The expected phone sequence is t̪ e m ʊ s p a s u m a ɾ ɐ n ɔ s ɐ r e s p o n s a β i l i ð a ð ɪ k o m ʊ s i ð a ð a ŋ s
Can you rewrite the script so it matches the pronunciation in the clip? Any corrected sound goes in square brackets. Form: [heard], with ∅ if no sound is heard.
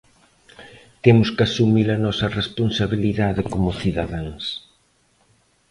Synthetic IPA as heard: t̪ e m ʊ s [k] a s u m [i] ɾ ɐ n ɔ s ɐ r e s p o n s a β i l i ð a ð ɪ k o m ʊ [θ] i ð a ð a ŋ s